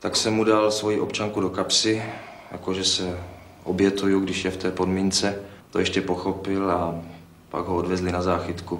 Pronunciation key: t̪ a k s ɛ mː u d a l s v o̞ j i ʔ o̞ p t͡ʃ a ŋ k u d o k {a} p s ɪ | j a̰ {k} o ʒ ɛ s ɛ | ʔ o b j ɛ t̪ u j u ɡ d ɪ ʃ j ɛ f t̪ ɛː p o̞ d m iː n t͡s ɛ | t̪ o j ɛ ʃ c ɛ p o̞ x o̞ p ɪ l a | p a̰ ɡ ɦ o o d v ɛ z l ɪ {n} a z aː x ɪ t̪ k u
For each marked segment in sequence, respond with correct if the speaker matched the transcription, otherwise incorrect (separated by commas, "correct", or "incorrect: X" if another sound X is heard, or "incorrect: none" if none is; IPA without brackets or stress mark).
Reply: correct, correct, correct